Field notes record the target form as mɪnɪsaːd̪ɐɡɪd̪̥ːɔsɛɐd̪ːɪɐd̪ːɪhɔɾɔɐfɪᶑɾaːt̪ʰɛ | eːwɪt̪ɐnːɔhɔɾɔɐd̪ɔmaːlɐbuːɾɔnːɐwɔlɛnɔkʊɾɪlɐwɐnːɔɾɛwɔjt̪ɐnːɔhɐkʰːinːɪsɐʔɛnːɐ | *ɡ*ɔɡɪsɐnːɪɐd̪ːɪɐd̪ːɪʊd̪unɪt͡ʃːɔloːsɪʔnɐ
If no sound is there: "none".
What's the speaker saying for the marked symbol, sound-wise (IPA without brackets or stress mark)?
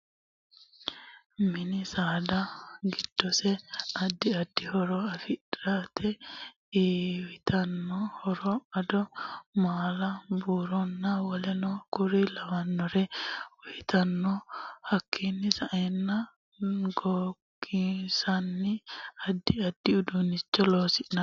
ɡ